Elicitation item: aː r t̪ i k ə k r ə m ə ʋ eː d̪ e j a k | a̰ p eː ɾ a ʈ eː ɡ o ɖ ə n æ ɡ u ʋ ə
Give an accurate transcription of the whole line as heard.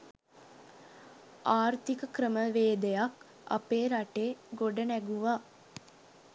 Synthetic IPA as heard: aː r t̪ i k ə k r ə m ə ʋ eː d̪ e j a k | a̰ p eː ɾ a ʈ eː ɡ o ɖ ə n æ ɡ u ʋ a